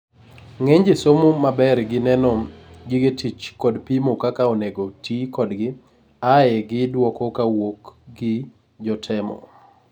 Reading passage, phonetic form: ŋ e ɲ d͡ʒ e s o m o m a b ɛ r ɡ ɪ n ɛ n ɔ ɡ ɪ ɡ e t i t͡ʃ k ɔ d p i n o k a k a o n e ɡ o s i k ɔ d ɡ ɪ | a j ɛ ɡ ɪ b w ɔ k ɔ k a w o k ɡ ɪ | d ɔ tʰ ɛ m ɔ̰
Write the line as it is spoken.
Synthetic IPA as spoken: ŋ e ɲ d͡ʒ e s o m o m a b ɛ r ɡ ɪ n ɛ n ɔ ɡ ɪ ɡ e t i t͡ʃ k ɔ d p i m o k a k a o n e ɡ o t i k ɔ d ɡ ɪ | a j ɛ ɡ ɪ d w ɔ k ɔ k a w o k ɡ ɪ | d͡ʒ ɔ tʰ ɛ m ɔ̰